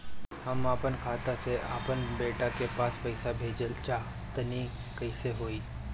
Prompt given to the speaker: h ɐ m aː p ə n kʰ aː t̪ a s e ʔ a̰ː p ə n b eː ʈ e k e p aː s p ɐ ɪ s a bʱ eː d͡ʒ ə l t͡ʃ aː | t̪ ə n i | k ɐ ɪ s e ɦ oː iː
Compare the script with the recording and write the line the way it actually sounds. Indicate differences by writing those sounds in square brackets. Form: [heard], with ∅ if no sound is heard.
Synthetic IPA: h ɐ m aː p ə n kʰ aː t̪ a s e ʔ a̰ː p ə n b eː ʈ [a] k e p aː s p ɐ ɪ s a bʱ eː d͡ʒ ə l t͡ʃ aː | t̪ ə n i | k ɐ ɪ s e ɦ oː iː